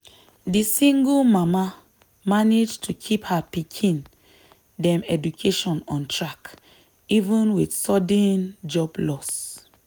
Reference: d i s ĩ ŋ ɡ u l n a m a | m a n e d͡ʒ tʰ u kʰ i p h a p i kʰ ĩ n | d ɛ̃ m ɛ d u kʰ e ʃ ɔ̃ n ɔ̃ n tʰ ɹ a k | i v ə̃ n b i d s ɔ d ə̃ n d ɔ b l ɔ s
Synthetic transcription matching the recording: d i s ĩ ŋ ɡ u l m a m a | m a n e d͡ʒ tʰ u kʰ i p h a p i kʰ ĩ n | d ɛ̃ m ɛ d u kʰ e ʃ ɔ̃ n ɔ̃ n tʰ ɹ a k | i v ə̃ n w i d s ɔ d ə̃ n d͡ʒ ɔ b l ɔ s